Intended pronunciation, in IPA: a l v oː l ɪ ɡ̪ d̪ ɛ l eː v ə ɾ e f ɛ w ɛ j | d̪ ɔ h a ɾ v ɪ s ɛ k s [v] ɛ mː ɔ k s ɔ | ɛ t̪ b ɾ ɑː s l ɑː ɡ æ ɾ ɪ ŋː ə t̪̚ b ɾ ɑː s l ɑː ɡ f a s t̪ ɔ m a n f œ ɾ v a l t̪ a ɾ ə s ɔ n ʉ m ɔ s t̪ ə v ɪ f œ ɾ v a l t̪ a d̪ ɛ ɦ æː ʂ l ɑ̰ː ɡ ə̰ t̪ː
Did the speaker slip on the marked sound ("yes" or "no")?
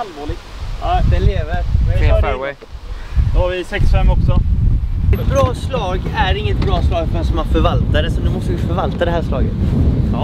yes